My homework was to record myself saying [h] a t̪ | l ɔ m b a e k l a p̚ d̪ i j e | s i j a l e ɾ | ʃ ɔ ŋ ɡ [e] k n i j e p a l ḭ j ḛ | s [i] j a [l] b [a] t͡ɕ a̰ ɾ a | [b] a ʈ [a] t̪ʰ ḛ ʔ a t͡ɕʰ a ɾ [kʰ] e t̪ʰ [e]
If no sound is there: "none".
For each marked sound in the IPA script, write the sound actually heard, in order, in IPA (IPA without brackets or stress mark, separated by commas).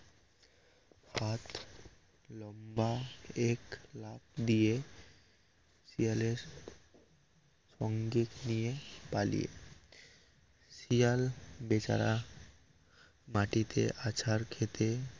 h, i, i, l, e, m, i, kʰ, e